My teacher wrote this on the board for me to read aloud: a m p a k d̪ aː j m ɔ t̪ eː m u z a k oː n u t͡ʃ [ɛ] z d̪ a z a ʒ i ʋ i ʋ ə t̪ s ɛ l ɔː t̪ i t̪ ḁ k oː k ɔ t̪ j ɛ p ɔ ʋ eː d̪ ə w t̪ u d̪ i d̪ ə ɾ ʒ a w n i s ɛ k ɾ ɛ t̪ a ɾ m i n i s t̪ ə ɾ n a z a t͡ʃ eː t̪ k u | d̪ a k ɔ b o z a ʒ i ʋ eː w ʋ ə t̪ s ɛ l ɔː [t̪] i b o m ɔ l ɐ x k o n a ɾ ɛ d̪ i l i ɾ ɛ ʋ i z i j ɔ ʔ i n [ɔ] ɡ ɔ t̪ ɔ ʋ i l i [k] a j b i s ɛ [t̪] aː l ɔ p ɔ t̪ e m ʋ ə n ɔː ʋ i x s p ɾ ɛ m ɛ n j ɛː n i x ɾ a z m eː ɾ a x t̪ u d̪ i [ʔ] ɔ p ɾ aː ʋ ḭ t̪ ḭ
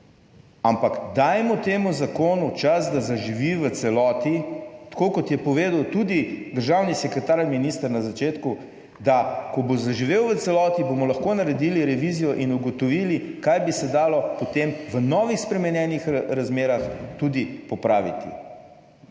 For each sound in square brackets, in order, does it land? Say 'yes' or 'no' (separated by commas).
no, yes, no, yes, no, no